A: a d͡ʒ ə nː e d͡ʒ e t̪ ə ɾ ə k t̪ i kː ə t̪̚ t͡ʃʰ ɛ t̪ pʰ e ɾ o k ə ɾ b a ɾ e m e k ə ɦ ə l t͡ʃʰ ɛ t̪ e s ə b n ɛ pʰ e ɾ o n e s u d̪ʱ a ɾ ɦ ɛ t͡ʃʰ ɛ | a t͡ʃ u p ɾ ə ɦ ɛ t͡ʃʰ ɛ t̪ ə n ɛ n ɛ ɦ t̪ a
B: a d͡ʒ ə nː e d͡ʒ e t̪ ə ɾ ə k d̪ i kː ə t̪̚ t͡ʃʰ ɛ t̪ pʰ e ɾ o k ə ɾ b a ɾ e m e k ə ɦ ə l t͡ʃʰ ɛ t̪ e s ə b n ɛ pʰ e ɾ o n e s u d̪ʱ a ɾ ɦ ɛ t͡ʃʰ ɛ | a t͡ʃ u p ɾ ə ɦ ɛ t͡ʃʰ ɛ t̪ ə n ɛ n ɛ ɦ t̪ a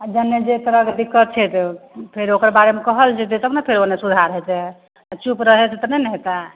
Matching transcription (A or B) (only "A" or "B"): B